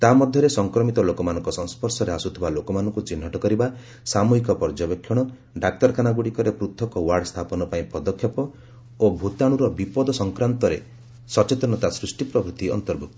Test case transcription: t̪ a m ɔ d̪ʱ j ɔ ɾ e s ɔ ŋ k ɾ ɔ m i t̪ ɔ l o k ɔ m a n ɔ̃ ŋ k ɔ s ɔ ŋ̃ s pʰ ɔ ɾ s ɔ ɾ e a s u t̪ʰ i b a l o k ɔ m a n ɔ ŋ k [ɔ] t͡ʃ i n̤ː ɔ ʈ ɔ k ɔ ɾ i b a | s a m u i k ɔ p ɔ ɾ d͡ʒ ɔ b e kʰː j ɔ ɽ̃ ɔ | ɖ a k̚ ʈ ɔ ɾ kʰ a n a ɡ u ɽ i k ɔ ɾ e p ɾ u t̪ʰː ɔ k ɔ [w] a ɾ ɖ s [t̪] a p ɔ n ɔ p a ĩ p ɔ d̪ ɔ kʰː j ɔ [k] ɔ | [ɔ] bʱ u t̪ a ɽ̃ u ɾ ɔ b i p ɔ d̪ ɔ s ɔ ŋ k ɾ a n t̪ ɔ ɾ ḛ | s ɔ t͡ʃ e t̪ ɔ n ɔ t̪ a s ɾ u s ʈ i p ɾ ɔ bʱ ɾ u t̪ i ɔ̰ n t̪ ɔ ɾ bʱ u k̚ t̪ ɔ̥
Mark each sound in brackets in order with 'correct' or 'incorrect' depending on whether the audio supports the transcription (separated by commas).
incorrect, correct, incorrect, incorrect, incorrect